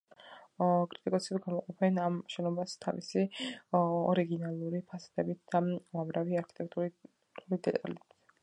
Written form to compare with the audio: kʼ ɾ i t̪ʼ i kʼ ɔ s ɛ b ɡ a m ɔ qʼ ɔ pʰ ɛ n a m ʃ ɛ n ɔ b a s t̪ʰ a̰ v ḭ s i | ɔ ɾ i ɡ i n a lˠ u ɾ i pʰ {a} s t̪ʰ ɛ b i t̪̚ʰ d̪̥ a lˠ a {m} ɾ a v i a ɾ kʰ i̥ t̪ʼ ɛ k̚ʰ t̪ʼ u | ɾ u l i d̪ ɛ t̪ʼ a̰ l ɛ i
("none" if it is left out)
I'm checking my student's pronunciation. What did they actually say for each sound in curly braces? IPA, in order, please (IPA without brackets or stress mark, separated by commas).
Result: a, m